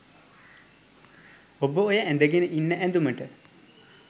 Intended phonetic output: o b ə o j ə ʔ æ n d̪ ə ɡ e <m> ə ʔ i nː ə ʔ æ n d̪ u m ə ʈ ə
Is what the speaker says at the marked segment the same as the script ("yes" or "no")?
no